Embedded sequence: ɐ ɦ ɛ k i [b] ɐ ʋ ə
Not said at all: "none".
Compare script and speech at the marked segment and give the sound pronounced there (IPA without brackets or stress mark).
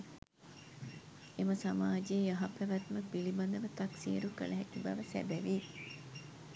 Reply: b